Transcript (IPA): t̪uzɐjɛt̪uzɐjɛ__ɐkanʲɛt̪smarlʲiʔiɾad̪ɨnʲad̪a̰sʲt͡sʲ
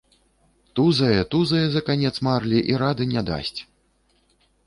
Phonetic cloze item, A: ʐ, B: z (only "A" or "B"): B